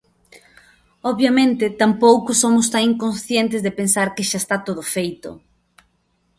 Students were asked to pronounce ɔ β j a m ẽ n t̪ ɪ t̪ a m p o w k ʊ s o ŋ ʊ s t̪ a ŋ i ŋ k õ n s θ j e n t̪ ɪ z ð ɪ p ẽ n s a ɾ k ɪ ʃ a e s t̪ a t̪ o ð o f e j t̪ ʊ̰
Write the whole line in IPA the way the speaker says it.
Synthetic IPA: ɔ β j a m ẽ n t̪ ɪ t̪ a m p o w k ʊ s o m ʊ s t̪ a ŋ i ŋ k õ n s θ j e n t̪ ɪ z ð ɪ p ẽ n s a ɾ k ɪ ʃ a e s t̪ a t̪ o ð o f e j t̪ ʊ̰